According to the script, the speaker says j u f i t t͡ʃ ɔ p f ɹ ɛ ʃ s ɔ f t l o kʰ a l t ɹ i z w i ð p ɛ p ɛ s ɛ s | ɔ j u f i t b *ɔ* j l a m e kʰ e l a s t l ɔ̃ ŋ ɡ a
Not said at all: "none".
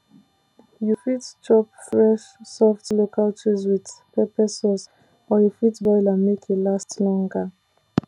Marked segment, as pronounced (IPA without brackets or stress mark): ɔ